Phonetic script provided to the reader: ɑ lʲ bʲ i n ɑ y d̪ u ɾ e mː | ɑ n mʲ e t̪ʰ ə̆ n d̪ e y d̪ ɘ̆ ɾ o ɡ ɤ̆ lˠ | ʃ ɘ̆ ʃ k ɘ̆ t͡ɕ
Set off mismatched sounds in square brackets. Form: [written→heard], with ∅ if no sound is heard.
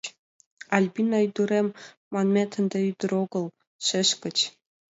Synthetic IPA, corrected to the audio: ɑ lʲ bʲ i n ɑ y d̪ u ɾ e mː | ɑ n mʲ e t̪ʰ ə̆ n d̪ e y d̪ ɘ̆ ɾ o ɡ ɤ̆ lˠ | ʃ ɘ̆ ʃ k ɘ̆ t͡ɕ